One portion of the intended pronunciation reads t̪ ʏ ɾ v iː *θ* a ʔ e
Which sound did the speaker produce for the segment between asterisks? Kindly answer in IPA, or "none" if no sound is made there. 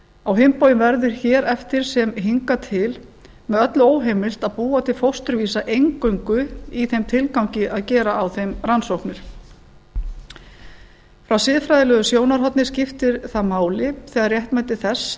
s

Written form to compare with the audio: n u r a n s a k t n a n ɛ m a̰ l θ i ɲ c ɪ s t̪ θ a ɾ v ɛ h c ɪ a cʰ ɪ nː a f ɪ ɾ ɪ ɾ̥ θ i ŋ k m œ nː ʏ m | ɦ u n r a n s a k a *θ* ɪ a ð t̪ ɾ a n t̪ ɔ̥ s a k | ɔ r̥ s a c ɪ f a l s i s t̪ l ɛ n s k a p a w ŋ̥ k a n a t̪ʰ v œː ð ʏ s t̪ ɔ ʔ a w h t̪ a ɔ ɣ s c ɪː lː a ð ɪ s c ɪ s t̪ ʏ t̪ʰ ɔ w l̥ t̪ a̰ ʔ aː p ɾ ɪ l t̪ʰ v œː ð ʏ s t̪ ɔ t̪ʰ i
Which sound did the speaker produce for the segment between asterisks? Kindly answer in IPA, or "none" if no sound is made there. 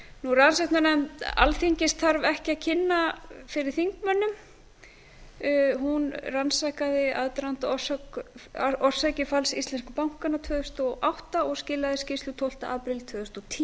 ð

